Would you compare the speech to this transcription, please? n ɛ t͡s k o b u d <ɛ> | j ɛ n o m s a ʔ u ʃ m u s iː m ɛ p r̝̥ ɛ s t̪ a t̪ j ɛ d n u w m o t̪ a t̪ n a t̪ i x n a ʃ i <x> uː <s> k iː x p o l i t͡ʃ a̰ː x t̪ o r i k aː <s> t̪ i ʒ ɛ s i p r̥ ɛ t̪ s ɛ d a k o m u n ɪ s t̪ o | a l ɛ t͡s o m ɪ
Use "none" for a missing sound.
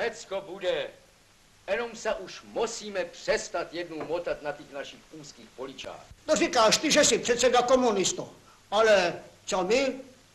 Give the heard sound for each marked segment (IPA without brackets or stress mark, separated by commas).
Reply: ɛ, x, s, ʃ